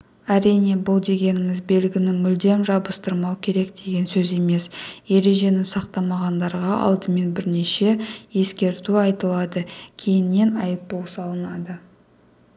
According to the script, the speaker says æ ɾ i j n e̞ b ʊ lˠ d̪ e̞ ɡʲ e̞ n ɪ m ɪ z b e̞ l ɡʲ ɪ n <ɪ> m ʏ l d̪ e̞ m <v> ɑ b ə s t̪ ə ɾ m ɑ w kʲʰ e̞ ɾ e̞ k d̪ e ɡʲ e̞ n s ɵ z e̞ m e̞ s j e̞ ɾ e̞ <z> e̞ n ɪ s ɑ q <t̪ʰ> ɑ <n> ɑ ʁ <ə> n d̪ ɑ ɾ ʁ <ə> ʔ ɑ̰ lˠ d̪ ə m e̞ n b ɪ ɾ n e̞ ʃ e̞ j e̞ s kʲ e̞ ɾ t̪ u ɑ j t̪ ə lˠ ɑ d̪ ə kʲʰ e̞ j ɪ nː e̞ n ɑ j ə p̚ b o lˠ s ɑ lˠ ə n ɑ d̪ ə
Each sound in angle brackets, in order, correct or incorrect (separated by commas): correct, incorrect, incorrect, incorrect, incorrect, incorrect, incorrect